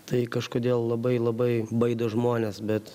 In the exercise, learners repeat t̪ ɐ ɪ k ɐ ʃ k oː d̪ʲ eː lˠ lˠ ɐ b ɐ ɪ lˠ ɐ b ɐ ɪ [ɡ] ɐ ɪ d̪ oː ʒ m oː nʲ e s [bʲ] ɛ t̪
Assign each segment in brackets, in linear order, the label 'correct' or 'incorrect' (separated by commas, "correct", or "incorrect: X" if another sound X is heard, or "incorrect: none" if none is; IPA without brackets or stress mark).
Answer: incorrect: b, correct